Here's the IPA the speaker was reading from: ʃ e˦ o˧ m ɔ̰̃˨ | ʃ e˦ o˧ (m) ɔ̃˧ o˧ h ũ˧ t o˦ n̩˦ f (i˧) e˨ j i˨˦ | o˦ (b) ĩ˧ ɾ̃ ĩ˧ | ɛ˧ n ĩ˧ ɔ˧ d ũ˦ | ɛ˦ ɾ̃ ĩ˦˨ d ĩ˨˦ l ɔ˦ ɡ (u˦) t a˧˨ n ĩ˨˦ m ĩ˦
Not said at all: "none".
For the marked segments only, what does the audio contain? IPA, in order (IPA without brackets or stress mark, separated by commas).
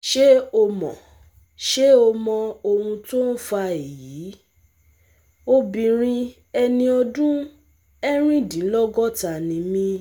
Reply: m, a˧, b, ɔ˦